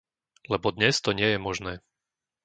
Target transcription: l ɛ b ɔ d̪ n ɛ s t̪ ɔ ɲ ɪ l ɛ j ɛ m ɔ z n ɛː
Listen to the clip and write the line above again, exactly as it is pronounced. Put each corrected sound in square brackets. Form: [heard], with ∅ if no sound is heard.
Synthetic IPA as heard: l ɛ b ɔ d̪ [ɲ] ɛ s t̪ ɔ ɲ ɪ [∅] ɛ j ɛ m ɔ [ʒ] n ɛː